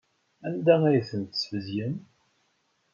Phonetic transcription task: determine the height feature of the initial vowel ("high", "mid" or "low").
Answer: low